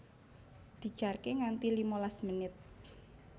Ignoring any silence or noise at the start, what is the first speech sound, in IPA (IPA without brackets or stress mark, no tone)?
d̪̥